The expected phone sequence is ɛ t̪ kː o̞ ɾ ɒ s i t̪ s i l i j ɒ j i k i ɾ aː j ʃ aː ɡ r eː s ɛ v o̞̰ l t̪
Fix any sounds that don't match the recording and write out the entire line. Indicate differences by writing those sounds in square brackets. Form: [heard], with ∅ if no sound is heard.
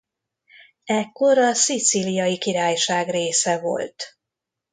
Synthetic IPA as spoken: ɛ [∅] kː o̞ ɾ ɒ s i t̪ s i l i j ɒ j i k i ɾ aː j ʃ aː ɡ r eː s ɛ v o̞̰ l t̪